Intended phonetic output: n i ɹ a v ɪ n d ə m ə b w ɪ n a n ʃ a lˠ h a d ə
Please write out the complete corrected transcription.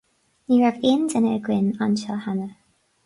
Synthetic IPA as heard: n i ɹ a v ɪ n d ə n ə ɡ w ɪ n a n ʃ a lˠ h a n ə

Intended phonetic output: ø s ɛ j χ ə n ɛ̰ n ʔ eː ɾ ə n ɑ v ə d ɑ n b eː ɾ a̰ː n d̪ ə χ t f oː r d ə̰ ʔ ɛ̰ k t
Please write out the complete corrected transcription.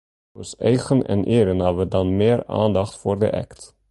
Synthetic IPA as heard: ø s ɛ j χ ə n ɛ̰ n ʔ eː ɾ ə n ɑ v ə d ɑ n m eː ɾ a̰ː n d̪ ɑ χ t f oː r d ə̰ ʔ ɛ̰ k t

